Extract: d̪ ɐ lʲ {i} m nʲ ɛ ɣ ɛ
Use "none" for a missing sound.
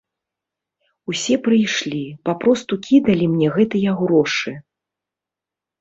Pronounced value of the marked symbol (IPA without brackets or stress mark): i